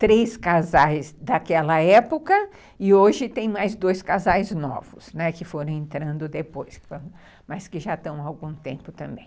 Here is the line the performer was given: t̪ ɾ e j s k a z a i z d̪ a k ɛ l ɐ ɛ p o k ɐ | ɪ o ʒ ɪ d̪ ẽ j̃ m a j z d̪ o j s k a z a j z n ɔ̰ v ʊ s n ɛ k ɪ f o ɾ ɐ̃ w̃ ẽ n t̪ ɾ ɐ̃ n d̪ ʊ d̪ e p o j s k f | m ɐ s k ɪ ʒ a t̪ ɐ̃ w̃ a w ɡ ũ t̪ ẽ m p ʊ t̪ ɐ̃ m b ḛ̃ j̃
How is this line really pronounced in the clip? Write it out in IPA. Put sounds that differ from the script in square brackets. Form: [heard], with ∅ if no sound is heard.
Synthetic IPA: t̪ ɾ e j s k a z a [j] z d̪ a k ɛ l ɐ ɛ p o k ɐ | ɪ o ʒ ɪ [t̪] ẽ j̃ m a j z d̪ o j s k a z a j z n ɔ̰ v ʊ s n ɛ k ɪ f o ɾ ɐ̃ w̃ ẽ n t̪ ɾ ɐ̃ n d̪ ʊ d̪ e p o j s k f | m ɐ s k ɪ ʒ a t̪ ɐ̃ w̃ a w ɡ ũ t̪ ẽ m p ʊ t̪ ɐ̃ m b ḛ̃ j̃